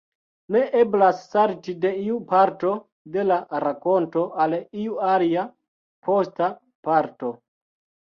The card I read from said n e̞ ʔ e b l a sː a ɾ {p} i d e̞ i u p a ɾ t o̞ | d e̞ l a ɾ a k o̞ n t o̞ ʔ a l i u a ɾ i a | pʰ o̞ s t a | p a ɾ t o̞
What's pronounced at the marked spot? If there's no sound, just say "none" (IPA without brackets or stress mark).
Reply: t